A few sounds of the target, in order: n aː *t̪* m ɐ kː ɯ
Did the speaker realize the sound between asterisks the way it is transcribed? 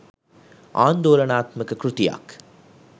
yes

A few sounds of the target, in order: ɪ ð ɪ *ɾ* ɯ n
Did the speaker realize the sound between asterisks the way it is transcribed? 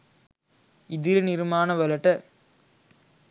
yes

